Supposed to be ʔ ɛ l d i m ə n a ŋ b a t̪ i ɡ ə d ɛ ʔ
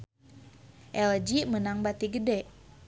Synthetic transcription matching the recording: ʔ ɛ l d͡ʒ i m ə n a ŋ b a t̪ i ɡ ə d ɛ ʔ